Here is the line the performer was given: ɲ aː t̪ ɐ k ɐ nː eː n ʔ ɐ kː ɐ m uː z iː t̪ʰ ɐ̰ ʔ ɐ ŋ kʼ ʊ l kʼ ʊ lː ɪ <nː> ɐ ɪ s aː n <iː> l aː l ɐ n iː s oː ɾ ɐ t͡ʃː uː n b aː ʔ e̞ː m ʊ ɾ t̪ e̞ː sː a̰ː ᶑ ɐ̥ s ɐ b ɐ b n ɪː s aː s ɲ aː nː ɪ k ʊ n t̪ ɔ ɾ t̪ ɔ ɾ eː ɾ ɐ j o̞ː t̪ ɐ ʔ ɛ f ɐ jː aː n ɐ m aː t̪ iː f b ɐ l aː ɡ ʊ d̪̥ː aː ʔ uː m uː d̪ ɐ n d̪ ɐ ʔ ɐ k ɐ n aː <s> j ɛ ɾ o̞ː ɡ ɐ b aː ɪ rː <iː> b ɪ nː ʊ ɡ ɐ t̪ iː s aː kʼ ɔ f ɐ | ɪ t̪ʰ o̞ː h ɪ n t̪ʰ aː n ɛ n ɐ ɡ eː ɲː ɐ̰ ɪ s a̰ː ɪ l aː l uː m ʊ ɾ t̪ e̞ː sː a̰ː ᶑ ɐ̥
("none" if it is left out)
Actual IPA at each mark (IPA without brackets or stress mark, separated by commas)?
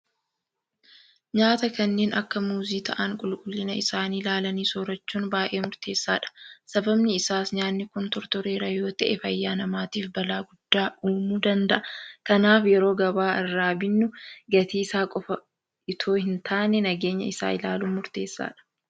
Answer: n, iː, f, aː